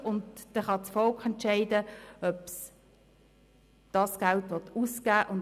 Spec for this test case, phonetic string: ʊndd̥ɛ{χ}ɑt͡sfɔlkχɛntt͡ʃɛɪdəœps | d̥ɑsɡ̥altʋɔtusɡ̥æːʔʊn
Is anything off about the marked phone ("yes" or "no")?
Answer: no